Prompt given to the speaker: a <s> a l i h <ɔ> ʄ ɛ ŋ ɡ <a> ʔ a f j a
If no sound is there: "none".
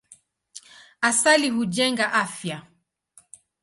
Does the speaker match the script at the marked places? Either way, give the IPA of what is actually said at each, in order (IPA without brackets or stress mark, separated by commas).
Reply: s, u, a